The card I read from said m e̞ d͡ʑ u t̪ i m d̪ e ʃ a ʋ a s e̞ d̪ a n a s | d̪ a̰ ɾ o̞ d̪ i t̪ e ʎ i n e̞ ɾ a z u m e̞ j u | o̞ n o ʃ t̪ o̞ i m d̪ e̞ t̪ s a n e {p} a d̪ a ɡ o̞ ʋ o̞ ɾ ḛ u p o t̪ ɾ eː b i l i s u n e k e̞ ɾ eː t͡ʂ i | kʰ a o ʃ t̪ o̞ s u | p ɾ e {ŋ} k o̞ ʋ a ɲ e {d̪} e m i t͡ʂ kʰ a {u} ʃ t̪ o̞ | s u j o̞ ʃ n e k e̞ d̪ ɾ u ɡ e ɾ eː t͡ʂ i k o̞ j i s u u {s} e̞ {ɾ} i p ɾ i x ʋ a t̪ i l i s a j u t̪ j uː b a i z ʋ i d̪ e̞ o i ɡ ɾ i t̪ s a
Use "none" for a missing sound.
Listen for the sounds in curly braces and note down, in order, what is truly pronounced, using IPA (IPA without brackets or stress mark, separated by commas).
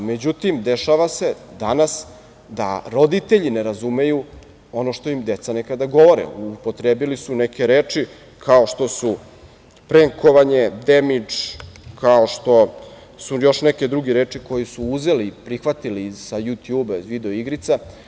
k, ŋ, d̪, o, z, l